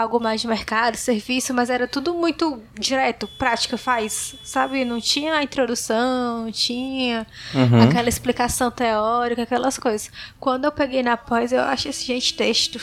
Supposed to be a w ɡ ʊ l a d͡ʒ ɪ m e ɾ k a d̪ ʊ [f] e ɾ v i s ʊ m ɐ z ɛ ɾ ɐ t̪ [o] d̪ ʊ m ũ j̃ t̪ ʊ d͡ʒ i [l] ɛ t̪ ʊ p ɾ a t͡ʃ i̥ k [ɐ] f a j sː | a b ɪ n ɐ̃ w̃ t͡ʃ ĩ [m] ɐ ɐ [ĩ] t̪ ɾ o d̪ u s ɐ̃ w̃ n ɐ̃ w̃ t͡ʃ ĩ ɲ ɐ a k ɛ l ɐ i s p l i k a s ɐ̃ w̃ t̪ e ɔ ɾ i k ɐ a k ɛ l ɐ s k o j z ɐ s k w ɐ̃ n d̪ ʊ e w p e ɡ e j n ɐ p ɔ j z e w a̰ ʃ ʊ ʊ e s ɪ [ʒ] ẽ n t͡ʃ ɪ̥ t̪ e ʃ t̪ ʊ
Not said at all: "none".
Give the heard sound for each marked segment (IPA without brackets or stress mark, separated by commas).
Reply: s, u, ɾ, ɐ, ɲ, ĩ, ʒ